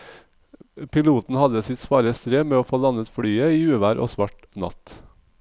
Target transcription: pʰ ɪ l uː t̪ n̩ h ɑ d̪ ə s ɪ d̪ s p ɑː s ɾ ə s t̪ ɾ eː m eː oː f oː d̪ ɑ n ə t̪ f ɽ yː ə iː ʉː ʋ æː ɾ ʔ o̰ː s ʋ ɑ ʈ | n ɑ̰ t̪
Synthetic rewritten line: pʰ ɪ l uː t̪ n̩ h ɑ d̪ ə s ɪ t̪ s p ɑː ɾ ə s t̪ ɾ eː m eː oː f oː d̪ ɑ n ə t̪ f ɽ yː ə iː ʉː ʋ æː ɾ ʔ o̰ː s ʋ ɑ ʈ | n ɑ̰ t̪